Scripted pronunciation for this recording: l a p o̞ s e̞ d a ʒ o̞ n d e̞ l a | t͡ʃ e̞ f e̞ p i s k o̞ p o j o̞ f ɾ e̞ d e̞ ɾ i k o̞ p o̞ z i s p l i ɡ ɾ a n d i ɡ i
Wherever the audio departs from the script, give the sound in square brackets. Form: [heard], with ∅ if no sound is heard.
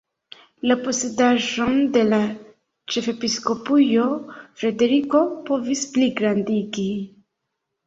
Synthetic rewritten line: l a p o̞ s e̞ d a ʒ o̞ n d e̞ l a | t͡ʃ e̞ f e̞ p i s k o̞ p [u] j o̞ f ɾ e̞ d e̞ ɾ i k o̞ p o̞ [v] i s p l i ɡ ɾ a n d i ɡ i